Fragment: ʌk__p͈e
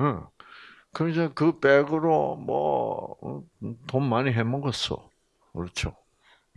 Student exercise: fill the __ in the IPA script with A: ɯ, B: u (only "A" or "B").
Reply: A